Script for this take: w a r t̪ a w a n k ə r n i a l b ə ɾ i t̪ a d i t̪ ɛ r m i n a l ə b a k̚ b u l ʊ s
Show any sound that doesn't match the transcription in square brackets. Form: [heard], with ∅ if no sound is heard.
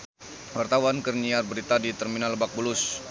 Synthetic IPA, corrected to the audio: w a r t̪ a w a n k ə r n i a [r] b ə ɾ i t̪ a d i t̪ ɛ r m i n a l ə b a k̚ b u l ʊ s